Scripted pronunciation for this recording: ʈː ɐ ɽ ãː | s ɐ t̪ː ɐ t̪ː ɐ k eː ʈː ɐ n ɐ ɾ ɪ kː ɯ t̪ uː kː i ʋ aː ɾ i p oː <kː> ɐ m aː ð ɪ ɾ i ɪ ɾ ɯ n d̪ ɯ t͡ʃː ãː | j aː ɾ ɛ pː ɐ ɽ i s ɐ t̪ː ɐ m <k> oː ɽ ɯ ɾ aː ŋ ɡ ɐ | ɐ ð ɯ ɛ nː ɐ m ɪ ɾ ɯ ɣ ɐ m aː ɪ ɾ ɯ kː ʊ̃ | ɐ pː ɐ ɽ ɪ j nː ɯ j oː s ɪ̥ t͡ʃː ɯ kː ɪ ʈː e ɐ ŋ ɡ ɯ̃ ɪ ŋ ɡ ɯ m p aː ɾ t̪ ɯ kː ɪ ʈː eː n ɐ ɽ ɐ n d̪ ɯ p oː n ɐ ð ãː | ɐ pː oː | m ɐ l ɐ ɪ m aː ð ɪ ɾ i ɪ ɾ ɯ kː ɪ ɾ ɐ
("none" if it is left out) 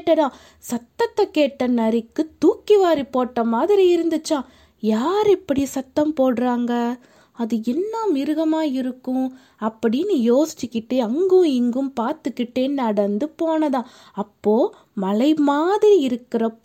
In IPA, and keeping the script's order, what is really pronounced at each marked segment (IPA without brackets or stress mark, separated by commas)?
ʈː, p